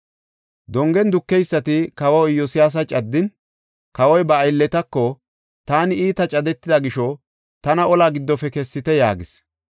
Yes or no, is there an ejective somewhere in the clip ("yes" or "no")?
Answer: yes